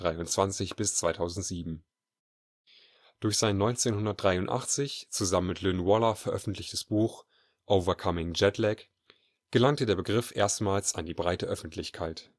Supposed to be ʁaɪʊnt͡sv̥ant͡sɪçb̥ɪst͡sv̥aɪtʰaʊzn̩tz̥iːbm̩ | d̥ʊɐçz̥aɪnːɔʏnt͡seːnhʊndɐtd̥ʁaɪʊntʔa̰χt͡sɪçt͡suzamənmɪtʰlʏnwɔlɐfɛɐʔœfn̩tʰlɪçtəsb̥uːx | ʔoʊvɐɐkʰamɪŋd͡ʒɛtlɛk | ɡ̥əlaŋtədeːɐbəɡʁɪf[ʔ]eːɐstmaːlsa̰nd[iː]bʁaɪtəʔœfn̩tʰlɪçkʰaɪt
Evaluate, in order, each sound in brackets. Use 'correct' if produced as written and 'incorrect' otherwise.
correct, correct

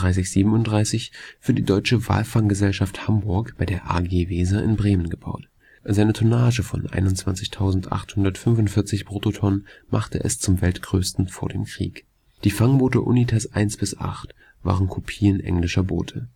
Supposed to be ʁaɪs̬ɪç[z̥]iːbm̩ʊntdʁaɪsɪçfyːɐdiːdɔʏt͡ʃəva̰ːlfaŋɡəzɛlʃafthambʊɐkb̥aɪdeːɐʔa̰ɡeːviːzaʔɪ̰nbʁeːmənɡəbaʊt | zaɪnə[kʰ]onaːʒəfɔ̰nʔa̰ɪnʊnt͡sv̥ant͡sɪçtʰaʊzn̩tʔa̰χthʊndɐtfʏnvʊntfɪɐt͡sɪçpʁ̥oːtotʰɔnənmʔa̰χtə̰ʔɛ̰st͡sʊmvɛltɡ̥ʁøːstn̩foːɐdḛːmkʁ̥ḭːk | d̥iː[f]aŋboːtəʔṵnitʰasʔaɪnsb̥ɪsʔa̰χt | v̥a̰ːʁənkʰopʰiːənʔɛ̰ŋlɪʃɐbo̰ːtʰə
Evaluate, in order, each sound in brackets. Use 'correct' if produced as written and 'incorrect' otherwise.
correct, incorrect: tʰ, correct

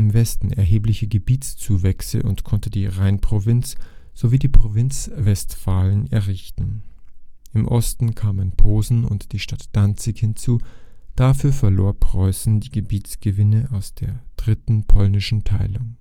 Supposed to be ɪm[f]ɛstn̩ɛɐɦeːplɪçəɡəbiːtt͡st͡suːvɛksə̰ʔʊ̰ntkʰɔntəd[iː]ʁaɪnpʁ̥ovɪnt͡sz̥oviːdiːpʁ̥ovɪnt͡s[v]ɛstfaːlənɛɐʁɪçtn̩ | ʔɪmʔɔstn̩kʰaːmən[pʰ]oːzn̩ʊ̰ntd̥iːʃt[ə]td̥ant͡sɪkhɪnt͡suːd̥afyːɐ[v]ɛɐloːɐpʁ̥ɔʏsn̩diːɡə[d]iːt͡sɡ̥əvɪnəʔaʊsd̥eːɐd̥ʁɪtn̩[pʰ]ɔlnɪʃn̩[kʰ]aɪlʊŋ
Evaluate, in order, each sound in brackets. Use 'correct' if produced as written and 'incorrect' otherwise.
incorrect: v, correct, correct, correct, incorrect: a, incorrect: f, incorrect: b, correct, incorrect: tʰ

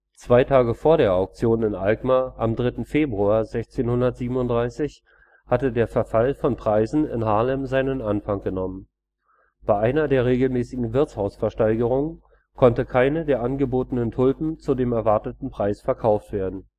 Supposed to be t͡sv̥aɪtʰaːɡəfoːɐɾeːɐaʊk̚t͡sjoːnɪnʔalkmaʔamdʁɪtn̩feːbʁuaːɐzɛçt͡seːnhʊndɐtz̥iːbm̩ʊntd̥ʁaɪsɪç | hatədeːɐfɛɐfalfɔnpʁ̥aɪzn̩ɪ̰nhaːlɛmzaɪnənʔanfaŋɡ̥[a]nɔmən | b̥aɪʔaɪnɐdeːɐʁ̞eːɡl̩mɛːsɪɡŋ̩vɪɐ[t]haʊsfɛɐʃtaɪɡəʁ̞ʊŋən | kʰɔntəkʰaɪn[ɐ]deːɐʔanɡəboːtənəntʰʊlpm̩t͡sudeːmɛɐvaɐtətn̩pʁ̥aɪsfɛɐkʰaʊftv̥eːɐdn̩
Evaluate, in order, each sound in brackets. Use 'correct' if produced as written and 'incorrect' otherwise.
incorrect: ə, incorrect: t͡s, incorrect: ə

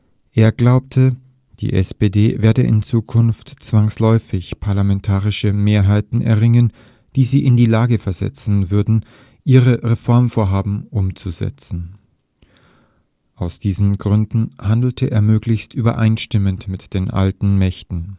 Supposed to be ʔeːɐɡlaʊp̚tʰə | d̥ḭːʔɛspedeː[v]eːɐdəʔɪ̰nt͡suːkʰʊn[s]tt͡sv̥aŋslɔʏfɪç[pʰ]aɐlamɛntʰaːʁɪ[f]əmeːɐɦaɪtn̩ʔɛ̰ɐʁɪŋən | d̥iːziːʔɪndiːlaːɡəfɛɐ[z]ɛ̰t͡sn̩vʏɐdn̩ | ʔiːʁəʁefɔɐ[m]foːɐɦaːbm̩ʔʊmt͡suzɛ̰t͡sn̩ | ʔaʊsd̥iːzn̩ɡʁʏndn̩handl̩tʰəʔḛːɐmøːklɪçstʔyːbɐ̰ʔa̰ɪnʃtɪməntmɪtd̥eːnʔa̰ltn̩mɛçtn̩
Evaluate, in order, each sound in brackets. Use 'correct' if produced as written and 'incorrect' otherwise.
correct, incorrect: f, correct, incorrect: ʃ, correct, correct

